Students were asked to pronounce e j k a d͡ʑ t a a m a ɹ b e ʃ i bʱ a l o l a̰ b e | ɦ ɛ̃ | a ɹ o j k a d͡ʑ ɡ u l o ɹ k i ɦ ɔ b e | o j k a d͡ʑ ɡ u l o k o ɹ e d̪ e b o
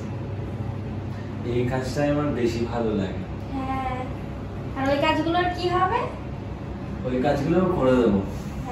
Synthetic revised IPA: e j k a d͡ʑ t a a m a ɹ b e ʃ i bʱ a l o l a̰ ɡ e | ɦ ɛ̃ | a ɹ o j k a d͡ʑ ɡ u l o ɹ k i ɦ ɔ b e | o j k a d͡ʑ ɡ u l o k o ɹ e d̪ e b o